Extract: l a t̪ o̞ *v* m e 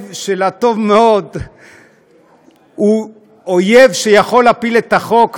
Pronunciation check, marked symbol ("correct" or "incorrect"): correct